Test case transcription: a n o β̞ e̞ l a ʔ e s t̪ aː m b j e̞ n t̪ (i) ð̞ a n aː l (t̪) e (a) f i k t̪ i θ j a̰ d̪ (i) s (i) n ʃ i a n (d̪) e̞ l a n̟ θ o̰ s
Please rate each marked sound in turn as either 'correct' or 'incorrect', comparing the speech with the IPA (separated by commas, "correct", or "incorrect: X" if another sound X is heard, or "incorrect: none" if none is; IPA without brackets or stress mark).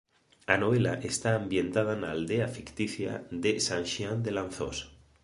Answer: incorrect: a, incorrect: d̪, correct, incorrect: e, incorrect: a, correct